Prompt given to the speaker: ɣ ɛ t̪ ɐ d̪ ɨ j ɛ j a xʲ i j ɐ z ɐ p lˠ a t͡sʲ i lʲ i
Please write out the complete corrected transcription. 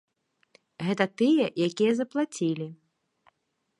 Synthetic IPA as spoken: ɣ ɛ t̪ ɐ t̪ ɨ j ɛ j a kʲ i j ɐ z ɐ p lˠ a t͡sʲ i lʲ i